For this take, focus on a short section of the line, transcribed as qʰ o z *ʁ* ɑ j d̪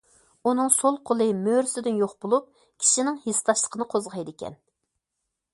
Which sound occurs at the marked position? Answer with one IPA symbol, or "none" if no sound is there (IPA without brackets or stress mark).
ʁ